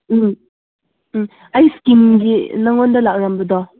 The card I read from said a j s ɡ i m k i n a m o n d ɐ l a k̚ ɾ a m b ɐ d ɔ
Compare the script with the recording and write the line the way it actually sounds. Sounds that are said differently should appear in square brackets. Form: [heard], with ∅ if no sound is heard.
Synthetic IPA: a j s [k] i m [ɡ] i n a [ŋ] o n d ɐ l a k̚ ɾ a m b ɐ d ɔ